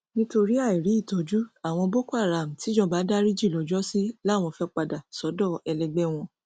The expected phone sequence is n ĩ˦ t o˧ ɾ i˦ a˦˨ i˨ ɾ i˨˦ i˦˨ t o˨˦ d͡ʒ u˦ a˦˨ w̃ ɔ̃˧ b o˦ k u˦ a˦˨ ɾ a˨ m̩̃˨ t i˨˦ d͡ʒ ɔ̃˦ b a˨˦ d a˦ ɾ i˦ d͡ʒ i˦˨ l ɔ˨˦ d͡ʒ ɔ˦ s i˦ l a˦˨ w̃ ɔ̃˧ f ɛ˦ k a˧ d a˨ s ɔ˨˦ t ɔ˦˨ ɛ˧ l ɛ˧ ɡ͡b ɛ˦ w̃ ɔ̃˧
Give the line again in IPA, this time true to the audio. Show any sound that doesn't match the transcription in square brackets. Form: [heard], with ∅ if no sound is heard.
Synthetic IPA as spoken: n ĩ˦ t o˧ ɾ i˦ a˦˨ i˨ ɾ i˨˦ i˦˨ t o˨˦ d͡ʒ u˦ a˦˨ w̃ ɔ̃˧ b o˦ k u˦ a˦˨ ɾ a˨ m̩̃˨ t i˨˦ d͡ʒ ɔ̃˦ b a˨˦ d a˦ ɾ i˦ d͡ʒ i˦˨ l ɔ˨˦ d͡ʒ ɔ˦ s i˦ l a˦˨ w̃ ɔ̃˧ f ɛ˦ [k͡p] a˧ d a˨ s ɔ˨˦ [d] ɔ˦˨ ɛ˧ l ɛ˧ ɡ͡b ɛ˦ w̃ ɔ̃˧